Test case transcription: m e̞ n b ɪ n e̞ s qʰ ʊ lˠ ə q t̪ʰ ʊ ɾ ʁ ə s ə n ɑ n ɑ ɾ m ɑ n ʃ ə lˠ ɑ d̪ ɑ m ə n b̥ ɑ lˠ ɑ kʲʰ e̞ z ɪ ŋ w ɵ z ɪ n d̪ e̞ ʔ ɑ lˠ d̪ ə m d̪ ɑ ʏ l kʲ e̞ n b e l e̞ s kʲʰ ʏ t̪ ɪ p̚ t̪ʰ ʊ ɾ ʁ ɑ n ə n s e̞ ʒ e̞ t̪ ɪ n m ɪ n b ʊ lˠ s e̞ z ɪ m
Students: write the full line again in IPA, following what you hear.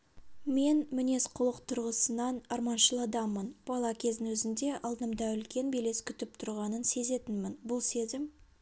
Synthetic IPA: m e̞ n m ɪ n e̞ s qʰ ʊ lˠ ə q t̪ʰ ʊ ɾ ʁ ə s ə n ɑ n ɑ ɾ m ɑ n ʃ ə lˠ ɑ d̪ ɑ m ə n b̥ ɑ lˠ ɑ kʲʰ e̞ z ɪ n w ɵ z ɪ n d̪ e̞ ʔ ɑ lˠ d̪ ə m d̪ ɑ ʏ l kʲ e̞ n b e l e̞ s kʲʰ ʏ t̪ ɪ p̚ t̪ʰ ʊ ɾ ʁ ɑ n ə n s e̞ z e̞ t̪ ɪ n m ɪ n b ʊ lˠ s e̞ z ɪ m